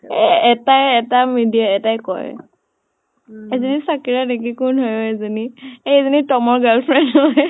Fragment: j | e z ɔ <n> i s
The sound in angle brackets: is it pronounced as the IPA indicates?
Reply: yes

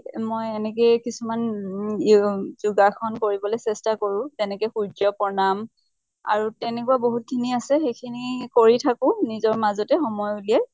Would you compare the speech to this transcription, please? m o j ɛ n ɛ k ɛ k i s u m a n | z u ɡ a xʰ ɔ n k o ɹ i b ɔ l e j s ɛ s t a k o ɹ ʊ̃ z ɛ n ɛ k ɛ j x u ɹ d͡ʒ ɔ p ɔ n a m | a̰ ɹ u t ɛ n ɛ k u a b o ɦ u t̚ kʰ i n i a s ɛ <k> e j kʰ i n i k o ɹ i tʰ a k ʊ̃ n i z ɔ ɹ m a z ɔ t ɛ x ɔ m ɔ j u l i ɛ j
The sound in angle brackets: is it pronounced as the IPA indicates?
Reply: no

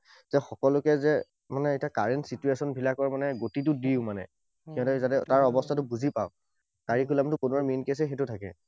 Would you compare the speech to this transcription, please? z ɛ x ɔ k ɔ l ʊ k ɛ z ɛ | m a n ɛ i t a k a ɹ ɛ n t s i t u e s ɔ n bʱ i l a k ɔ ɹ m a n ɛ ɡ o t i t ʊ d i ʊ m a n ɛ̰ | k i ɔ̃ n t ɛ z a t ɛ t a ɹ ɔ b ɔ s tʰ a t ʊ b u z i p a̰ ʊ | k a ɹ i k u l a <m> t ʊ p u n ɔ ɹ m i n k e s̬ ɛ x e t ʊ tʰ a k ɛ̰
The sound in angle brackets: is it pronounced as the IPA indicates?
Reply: yes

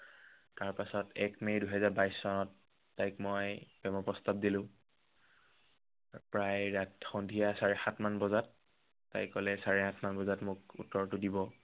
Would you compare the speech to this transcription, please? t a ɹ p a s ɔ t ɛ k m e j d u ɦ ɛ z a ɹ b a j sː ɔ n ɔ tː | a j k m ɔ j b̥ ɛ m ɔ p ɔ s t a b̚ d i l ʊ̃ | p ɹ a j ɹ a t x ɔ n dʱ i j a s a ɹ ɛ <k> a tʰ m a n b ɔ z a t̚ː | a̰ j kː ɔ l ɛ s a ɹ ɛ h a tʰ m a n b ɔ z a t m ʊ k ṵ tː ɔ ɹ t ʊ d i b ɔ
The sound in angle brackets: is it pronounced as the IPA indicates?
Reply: no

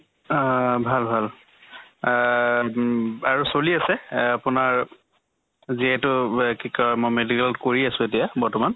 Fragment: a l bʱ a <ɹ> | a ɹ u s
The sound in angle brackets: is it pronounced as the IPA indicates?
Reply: no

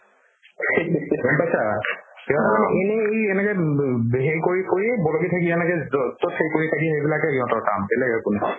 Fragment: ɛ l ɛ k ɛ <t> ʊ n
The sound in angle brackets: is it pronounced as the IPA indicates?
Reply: no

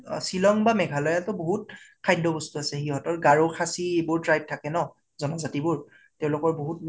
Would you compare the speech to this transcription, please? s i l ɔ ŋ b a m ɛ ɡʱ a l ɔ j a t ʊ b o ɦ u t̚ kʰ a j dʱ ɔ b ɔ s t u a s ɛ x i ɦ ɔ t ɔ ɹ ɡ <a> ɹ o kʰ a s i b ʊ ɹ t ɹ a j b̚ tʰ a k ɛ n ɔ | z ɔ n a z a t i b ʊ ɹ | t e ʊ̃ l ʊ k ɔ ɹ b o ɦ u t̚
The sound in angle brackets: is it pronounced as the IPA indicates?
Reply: yes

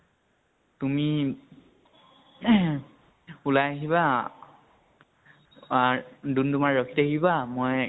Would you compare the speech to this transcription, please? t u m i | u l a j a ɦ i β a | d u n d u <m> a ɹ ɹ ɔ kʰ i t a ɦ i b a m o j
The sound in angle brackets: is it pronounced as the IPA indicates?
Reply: yes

